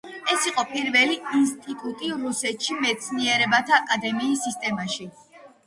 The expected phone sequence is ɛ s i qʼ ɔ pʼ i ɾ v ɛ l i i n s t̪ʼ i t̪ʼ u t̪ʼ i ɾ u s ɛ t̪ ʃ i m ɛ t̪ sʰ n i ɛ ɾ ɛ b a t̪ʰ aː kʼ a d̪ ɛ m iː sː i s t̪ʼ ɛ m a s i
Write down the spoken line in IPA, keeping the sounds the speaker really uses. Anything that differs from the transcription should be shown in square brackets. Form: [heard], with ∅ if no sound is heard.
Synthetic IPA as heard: ɛ s i qʼ ɔ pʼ i ɾ v ɛ l i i n s t̪ʼ i t̪ʼ u t̪ʼ i ɾ u s ɛ t̪ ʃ i m ɛ t̪ sʰ n i ɛ ɾ ɛ b a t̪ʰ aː kʼ a d̪ ɛ m iː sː i s t̪ʼ ɛ m a [ʃ] i